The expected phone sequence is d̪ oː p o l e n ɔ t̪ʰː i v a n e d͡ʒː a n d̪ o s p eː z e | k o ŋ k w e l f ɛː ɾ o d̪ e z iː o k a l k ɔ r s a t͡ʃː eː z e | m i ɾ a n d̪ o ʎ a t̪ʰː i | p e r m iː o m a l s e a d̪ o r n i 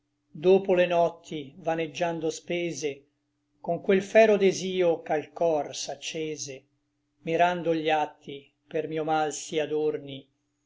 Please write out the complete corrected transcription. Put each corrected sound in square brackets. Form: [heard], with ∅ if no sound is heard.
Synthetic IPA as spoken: d̪ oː p o l e n ɔ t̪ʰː i v a n e d͡ʒː a n d̪ o s p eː z e | k o ŋ k w e l f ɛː ɾ o d̪ e z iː o k a l k ɔ r s a t͡ʃː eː z e | m i ɾ a n d̪ o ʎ a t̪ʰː i | p e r m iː o m a l s [i] a d̪ o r n i